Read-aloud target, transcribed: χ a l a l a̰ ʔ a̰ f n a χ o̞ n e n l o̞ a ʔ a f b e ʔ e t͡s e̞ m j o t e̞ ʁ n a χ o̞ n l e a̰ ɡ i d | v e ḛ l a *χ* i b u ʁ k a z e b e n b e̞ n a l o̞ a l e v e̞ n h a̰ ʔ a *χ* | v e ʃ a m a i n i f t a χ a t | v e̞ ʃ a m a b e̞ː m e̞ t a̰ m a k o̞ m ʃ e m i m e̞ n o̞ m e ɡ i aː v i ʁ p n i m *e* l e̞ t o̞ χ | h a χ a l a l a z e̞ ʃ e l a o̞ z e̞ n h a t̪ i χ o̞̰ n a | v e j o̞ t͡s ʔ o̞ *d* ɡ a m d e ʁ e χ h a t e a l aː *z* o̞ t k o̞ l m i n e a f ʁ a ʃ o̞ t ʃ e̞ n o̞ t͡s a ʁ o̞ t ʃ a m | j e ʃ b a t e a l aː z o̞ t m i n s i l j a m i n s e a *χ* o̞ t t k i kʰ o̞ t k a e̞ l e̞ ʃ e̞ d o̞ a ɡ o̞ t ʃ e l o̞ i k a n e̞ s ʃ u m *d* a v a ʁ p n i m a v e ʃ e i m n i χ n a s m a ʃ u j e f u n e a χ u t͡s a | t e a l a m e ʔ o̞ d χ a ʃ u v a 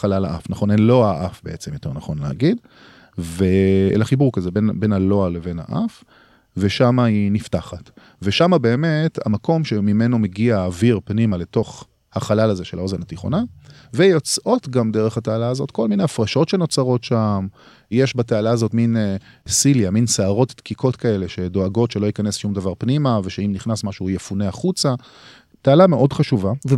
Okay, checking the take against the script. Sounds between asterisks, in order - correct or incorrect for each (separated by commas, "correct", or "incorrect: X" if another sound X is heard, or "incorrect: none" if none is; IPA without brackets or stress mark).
correct, incorrect: f, incorrect: a, incorrect: t, correct, incorrect: ʁ, correct